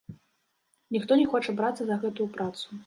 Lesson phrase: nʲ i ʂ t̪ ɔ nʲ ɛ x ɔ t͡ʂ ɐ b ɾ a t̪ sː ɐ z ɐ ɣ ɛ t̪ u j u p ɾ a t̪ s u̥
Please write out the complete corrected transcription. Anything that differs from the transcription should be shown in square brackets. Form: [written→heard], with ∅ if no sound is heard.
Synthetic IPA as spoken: nʲ i [ʂ→x] t̪ ɔ nʲ ɛ x ɔ t͡ʂ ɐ b ɾ a t̪ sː ɐ z ɐ ɣ ɛ t̪ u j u p ɾ a t̪ s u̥